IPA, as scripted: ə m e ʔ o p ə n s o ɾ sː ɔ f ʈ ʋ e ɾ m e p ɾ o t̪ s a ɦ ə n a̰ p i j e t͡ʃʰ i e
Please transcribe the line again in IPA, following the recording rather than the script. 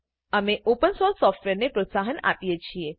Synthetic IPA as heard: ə m e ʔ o p ə n s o ɾ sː ɔ f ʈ ʋ e ɾ n e p ɾ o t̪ s a ɦ ə n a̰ p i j e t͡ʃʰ i e

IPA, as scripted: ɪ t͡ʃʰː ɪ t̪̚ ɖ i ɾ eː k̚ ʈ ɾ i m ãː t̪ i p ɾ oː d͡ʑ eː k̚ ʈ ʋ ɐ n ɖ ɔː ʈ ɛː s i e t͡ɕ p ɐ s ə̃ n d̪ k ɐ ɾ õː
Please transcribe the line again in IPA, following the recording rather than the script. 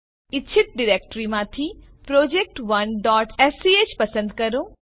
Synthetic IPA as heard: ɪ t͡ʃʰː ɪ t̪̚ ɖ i ɾ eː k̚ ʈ ɾ i m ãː t̪ʰ i p ɾ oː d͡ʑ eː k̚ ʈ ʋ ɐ n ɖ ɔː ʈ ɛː s i e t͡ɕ p ɐ s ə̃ n d̪ k ɐ ɾ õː

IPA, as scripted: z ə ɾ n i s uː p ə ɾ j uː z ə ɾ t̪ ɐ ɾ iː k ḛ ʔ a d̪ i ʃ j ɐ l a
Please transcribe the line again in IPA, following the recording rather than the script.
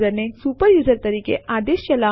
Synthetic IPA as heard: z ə ɾ n e s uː p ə ɾ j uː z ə ɾ t̪ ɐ ɾ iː k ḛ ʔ a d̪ e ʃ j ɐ l a

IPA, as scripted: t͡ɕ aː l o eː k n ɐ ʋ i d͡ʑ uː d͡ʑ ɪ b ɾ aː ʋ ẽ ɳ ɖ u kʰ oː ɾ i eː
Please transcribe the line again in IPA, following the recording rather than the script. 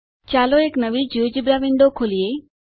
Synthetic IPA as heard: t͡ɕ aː l o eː k n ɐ ʋ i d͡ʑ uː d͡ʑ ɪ b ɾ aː ʋ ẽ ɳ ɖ o kʰ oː l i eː

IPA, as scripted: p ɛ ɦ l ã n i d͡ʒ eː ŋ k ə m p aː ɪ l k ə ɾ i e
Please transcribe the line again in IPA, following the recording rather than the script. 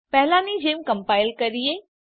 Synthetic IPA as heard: p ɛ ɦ l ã n i d͡ʒ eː m k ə m p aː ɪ l k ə ɾ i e

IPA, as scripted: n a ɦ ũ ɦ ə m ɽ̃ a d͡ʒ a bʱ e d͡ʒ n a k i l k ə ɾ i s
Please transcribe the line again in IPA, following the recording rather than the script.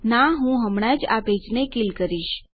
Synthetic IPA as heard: n a ɦ ũ ɦ ə m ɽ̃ a d͡ʒ a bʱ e d͡ʒ n e k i l k ə ɾ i ʃ

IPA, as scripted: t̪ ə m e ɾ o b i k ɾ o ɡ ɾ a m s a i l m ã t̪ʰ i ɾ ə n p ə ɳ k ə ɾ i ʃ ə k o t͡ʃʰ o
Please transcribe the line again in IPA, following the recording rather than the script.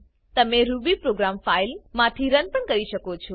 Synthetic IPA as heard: t̪ ə m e ɾ u b i p ɾ o ɡ ɾ a m f a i l m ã t̪ʰ i ɾ ə n p ə ɳ k ə ɾ i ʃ ə k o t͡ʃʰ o

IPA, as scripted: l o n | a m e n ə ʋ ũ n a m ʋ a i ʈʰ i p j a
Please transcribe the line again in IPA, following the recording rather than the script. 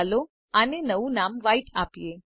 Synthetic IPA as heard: l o | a n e n ə ʋ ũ n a m ʋ a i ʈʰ a p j e

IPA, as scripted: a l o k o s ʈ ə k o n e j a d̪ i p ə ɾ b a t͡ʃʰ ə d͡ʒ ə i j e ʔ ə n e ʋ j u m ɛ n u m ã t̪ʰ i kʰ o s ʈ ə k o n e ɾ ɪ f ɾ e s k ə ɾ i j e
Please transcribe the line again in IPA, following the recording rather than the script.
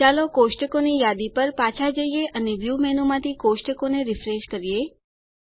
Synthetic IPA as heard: a l o k o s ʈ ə k o n i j a d̪ i p ə ɾ p a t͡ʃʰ a d͡ʒ ə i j e ʔ ə n e ʋ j u m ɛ n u m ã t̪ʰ i k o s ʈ ə k o n e ɾ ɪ f ɾ e ʃ k ə ɾ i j e

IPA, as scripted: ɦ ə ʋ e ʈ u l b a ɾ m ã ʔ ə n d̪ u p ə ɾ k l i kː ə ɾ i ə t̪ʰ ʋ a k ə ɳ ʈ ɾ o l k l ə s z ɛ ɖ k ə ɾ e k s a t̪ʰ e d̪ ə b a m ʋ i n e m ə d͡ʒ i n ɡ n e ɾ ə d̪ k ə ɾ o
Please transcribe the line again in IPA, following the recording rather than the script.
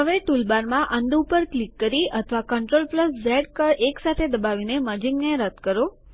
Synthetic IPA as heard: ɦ ə ʋ e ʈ u l b a ɾ m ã ʔ ə n d̪ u p ə ɾ k l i kː ə ɾ i ə t̪ʰ ʋ a k ə ɳ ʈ ɾ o l p l ə s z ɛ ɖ k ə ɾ e k s a t̪ʰ e d̪ ə b a ʋ i n e m ə d͡ʒ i ŋ ɡ n e ɾ ə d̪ k ə ɾ o

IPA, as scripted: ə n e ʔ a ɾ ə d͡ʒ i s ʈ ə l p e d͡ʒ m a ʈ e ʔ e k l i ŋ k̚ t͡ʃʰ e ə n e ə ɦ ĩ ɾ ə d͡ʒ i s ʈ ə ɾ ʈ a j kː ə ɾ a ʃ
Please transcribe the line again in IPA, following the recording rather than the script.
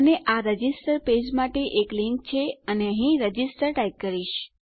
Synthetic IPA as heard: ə n e ʔ a ɾ ə d͡ʒ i s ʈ ə ɾ p e d͡ʒ m a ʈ e ʔ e k l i ŋ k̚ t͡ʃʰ e ə n e ə ɦ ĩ ɾ ə d͡ʒ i s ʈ ə ɾ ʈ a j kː ə ɾ i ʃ

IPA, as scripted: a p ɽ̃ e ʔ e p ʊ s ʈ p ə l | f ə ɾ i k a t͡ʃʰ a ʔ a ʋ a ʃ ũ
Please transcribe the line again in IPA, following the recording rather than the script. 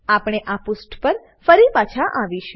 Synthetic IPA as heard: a p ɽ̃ e ʔ a p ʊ s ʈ p ə ɾ | f ə ɾ i p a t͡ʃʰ a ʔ a ʋ i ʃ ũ

